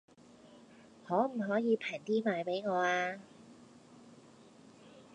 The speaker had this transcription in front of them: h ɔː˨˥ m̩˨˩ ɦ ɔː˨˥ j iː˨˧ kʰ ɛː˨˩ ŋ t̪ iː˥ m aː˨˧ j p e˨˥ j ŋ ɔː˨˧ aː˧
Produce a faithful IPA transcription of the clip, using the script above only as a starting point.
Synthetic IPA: h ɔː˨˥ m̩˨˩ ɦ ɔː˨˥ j iː˨˧ pʰ ɛː˨˩ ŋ t̪ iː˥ m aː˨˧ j p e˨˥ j ŋ ɔː˨˧ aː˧